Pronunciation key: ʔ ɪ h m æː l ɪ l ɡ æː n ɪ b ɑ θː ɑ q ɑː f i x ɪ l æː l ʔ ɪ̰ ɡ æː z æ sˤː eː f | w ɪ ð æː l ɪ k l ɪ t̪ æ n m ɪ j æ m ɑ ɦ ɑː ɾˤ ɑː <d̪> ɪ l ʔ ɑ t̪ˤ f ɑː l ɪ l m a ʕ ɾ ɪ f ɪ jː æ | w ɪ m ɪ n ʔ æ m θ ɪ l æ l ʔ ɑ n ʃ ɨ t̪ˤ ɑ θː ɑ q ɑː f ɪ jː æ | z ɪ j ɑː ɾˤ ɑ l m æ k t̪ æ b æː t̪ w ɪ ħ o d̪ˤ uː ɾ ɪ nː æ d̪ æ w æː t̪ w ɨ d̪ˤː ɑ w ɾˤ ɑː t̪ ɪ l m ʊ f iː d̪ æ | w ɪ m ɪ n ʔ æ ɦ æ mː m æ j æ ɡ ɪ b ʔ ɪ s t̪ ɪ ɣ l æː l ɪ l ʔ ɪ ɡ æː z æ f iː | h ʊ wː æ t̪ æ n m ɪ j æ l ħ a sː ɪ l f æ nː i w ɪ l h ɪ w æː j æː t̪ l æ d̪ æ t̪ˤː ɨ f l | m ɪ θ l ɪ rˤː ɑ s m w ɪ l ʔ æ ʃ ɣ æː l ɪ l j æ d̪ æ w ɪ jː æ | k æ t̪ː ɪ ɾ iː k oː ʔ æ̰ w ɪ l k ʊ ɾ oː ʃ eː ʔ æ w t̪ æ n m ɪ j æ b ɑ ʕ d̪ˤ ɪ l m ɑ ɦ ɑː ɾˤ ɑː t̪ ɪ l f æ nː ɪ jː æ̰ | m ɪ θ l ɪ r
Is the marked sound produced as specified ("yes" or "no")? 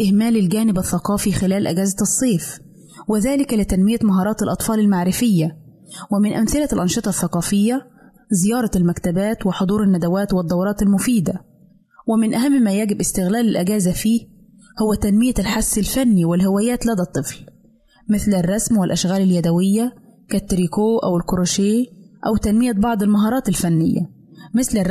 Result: no